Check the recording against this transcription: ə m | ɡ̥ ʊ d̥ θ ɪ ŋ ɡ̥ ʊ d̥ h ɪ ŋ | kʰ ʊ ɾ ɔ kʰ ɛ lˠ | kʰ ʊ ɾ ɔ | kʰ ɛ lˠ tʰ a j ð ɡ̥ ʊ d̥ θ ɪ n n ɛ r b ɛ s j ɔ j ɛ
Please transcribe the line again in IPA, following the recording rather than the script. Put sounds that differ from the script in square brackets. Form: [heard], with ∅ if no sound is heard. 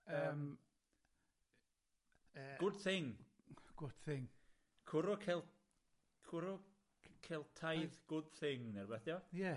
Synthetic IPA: ə m | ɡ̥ ʊ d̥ θ ɪ ŋ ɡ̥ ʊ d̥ [θ] ɪ ŋ | kʰ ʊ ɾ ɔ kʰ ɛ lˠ | kʰ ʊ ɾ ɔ | kʰ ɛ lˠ tʰ a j ð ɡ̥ ʊ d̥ θ ɪ [ŋ] n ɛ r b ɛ [θ] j ɔ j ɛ